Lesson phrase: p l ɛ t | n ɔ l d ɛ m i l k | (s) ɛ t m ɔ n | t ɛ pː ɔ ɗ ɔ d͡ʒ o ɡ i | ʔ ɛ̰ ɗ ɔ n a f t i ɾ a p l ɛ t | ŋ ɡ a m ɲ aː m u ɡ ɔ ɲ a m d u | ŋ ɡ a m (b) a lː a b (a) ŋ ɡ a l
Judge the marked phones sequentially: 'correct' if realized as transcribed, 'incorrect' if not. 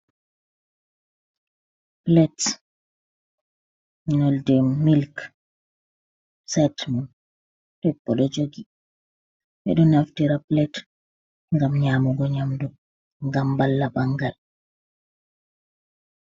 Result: correct, correct, correct

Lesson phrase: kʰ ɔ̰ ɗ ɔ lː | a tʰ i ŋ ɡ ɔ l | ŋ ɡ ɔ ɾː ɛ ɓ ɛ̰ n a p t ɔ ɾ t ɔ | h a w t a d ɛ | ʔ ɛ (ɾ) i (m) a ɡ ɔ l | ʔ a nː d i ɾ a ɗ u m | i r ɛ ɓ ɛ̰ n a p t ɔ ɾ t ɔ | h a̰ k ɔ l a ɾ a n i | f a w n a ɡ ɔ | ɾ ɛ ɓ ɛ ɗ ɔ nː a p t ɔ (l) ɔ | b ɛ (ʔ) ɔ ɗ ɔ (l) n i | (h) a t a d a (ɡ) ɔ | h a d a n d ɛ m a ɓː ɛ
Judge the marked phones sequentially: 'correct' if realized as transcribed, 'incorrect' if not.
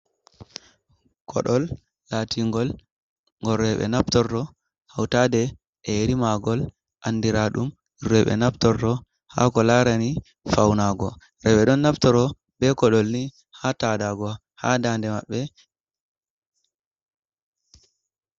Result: correct, correct, incorrect, incorrect, correct, correct, correct

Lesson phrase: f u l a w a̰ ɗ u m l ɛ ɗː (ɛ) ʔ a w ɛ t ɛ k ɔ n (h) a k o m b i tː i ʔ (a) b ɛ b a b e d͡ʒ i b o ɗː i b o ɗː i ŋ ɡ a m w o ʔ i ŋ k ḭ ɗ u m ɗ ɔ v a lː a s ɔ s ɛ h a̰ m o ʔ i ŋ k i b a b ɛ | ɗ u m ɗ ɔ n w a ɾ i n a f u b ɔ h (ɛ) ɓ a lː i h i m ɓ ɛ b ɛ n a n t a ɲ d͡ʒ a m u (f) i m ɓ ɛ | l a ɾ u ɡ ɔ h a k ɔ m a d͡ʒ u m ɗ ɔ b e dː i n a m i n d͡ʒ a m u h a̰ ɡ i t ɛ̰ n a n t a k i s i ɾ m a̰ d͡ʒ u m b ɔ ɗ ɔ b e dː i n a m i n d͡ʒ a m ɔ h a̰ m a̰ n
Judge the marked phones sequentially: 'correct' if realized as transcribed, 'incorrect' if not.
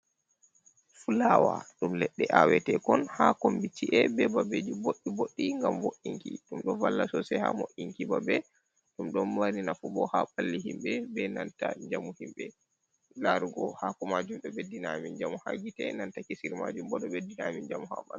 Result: correct, correct, incorrect, incorrect, incorrect

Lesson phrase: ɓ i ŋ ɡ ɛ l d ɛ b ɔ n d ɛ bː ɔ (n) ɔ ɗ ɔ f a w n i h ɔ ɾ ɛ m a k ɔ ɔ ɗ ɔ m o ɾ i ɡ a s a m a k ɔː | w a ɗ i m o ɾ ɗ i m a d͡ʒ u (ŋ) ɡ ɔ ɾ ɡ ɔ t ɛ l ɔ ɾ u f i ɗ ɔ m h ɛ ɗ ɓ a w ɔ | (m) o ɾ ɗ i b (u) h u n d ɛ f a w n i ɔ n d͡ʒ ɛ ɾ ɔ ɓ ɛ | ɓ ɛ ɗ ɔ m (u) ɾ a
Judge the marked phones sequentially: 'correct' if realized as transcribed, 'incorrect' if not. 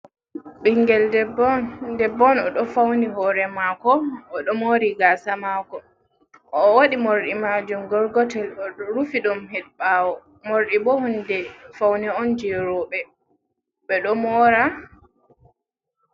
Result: correct, incorrect, correct, incorrect, incorrect

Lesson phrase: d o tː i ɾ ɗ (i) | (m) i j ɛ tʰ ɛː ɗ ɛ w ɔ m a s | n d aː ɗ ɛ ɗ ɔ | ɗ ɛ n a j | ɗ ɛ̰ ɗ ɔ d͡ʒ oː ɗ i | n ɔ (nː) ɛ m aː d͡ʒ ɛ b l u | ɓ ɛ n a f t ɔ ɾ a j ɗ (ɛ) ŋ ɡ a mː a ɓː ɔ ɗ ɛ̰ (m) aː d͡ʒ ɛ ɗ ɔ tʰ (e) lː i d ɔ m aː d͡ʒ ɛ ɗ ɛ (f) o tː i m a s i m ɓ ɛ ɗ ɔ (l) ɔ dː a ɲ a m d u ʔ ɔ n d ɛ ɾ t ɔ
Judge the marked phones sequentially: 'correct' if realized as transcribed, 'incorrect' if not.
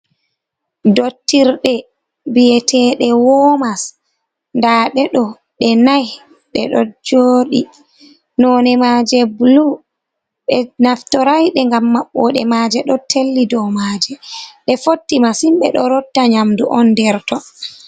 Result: incorrect, incorrect, incorrect, correct, correct, correct, correct, incorrect

